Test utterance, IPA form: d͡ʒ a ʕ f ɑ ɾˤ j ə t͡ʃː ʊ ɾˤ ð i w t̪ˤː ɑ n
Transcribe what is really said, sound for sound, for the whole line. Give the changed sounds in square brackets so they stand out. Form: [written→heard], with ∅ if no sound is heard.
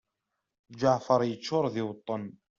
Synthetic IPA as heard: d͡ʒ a ʕ f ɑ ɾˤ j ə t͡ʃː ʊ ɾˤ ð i w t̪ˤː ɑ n